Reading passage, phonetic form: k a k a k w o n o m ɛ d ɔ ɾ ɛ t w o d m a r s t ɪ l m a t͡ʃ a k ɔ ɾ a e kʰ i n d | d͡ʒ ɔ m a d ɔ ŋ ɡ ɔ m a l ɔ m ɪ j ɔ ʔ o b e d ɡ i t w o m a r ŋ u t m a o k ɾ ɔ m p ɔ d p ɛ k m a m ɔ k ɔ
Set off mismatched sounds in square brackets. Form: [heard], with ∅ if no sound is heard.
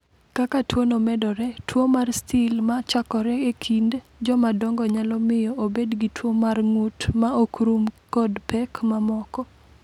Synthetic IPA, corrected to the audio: k a k a [t] w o n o m ɛ d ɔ ɾ ɛ t w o [∅] m a r s t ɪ l m a t͡ʃ a k ɔ ɾ [ɛ] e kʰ i n d | d͡ʒ ɔ m a d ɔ ŋ ɡ ɔ [ɲ] a l ɔ m ɪ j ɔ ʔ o b e d ɡ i t w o m a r ŋ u t m a o k ɾ [u] m [k] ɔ d p ɛ k m a m ɔ k ɔ